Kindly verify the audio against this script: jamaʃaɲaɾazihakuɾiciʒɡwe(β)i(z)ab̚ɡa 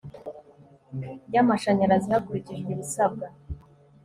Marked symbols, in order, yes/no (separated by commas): yes, no